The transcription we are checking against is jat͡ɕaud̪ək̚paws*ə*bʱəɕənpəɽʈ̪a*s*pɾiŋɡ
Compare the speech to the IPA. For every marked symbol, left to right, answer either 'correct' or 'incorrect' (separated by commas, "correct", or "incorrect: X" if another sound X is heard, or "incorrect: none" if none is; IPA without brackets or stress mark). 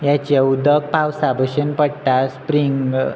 incorrect: a, correct